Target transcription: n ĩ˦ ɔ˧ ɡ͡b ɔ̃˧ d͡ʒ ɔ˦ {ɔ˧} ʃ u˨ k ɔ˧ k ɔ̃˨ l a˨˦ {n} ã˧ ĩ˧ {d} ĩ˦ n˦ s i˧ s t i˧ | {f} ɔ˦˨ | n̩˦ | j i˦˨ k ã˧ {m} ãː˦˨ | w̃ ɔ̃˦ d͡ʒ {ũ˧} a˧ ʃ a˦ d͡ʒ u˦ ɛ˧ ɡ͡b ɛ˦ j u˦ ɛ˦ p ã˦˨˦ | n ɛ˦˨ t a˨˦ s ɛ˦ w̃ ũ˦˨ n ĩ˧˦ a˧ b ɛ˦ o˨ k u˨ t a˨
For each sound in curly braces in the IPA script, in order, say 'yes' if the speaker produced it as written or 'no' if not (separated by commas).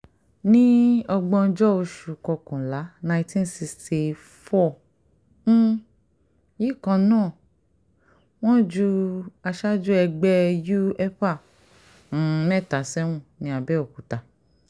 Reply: no, yes, no, yes, no, no